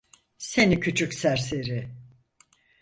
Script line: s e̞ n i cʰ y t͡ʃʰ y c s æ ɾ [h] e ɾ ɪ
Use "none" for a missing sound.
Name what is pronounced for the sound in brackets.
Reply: s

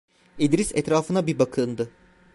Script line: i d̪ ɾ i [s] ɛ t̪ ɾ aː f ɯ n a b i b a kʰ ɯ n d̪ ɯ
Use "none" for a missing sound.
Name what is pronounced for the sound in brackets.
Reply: s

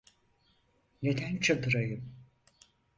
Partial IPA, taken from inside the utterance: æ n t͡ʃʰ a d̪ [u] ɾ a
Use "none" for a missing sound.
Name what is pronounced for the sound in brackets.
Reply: ɯ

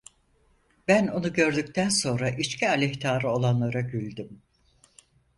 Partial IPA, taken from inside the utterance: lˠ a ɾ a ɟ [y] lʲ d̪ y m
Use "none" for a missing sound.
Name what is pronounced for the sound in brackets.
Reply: y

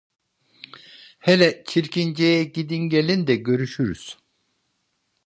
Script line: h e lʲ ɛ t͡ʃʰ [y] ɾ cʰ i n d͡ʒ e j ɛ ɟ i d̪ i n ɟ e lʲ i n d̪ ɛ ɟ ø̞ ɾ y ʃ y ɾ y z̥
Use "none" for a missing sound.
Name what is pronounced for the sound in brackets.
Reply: i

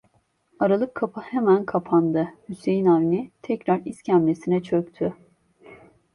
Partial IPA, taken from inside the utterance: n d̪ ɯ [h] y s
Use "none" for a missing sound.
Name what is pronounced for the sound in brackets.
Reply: h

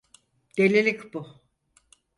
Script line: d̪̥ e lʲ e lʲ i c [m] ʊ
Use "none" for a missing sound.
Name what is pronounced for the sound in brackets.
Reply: b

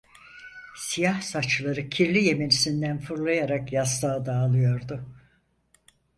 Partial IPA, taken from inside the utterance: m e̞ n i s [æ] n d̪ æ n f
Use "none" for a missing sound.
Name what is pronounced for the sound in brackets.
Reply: i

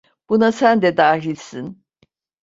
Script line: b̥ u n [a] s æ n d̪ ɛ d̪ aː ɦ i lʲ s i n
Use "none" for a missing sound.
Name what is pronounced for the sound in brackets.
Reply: a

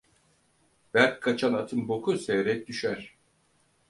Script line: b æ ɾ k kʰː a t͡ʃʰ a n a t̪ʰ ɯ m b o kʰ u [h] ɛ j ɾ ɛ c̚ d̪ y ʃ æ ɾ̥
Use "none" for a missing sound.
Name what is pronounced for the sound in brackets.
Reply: s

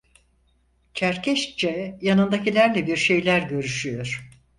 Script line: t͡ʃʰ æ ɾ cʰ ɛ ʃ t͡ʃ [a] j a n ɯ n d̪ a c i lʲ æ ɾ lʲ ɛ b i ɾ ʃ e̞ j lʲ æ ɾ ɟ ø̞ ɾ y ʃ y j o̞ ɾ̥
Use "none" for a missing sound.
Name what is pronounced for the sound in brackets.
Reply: ɛ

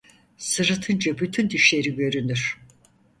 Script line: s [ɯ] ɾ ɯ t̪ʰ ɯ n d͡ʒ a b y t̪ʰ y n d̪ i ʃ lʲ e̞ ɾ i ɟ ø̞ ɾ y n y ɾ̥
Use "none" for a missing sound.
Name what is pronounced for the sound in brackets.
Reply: ɯ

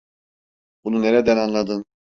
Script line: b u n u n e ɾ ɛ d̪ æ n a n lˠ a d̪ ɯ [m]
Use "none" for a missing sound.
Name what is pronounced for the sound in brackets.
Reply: n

